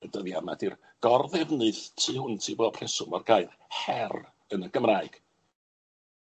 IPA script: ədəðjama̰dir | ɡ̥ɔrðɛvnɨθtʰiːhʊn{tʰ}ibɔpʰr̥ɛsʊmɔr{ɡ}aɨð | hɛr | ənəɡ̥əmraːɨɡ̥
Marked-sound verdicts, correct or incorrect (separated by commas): correct, correct